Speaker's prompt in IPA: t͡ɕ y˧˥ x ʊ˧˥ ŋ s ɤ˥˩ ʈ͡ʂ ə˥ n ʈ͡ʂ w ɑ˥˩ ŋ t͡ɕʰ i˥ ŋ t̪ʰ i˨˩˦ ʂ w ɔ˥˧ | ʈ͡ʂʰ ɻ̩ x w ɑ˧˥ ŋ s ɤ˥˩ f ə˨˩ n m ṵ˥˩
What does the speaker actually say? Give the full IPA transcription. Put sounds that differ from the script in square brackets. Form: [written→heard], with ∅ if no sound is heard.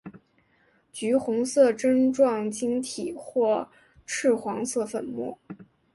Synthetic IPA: t͡ɕ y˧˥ x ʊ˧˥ ŋ s ɤ˥˩ ʈ͡ʂ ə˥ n ʈ͡ʂ w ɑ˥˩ ŋ [t͡ɕʰ→t͡ɕ] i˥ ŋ t̪ʰ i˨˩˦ [ʂ→x] w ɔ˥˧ | ʈ͡ʂʰ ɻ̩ x w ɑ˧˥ ŋ s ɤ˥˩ f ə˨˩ n m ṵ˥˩